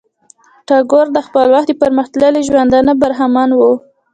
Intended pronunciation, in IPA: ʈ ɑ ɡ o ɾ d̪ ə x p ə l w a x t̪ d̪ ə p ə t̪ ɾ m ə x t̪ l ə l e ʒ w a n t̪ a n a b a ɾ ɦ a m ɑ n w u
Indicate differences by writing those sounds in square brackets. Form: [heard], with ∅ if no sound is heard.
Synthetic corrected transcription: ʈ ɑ ɡ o ɾ d̪ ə x p ə l w a x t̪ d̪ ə p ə [∅] ɾ m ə x t̪ l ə l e ʒ w a n [d̪] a n a b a ɾ ɦ a m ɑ n w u